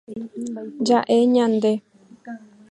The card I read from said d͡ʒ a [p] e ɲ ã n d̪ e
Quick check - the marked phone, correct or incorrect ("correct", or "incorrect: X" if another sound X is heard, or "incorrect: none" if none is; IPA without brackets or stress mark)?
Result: incorrect: ʔ